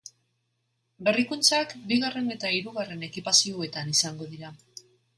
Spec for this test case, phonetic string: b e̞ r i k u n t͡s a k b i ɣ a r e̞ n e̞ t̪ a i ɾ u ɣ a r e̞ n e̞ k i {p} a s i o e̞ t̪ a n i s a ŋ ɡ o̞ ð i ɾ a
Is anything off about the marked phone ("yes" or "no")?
no